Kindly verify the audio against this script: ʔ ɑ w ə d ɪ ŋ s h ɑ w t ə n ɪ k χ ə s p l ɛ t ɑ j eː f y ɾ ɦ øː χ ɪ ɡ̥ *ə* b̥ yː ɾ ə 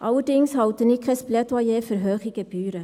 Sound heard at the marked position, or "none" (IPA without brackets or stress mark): ə